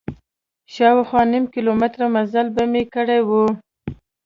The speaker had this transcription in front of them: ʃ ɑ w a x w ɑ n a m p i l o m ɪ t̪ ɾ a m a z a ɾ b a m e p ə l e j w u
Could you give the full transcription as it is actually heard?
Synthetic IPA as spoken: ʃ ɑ w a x w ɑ n i m k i l o m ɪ t̪ ɾ a m a z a l b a m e k ə ɽ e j w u

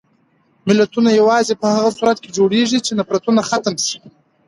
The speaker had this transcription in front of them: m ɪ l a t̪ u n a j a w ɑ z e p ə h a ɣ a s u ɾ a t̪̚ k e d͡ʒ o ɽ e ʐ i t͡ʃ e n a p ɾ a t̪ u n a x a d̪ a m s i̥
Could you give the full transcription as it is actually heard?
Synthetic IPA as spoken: m ɪ l a t̪ u n a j a w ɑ z e p ə h a ɣ a s u ɾ a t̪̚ k e d͡ʒ o ɽ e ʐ i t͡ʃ e n a p ɾ a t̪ u n a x a t̪ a m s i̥

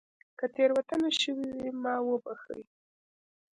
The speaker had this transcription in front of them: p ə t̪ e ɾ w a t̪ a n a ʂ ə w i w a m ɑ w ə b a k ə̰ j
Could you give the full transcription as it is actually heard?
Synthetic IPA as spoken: k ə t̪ e ɾ w a t̪ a n a ʃ ə w i w i m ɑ w ə b a x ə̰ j

